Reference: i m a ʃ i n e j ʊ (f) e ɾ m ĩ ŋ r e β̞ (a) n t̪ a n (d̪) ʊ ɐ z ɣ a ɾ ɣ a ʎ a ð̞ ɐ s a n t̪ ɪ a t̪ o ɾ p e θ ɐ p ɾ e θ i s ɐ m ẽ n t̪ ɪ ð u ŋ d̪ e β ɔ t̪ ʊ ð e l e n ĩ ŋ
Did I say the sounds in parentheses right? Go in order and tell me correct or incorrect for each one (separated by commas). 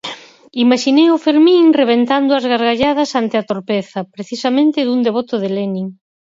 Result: correct, incorrect, correct